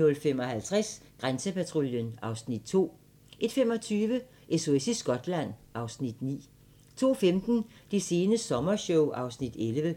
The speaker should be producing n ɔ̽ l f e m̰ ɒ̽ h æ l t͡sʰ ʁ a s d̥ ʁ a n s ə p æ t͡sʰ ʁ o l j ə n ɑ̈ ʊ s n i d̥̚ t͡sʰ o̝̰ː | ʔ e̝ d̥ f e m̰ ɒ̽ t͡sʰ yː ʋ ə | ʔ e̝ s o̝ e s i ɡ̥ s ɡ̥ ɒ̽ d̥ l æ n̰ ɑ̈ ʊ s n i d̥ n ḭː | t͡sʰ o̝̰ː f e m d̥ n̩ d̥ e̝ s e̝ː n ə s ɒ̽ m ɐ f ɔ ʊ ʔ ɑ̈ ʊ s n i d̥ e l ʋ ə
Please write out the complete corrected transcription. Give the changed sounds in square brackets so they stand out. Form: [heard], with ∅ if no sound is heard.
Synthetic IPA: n ɔ̽ l f e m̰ ɒ̽ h æ l t͡sʰ ʁ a s [ɡ̥] ʁ a n s ə p æ t͡sʰ ʁ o l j ə n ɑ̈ ʊ s n i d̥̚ t͡sʰ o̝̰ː | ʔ e̝ d̥ f e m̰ ɒ̽ t͡sʰ yː ʋ ə | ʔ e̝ s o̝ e s i [∅] s ɡ̥ ɒ̽ d̥ l æ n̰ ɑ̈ ʊ s n i d̥ n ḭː | t͡sʰ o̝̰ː f e m d̥ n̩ d̥ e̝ s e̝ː n ə s ɒ̽ m ɐ [ɕ] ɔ ʊ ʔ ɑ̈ ʊ s n i d̥ e l ʋ ə